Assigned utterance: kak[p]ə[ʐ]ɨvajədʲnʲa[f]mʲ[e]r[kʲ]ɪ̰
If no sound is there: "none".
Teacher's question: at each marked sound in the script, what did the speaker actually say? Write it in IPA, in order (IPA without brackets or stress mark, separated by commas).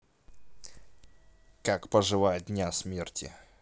p, ʐ, s, e, tʲ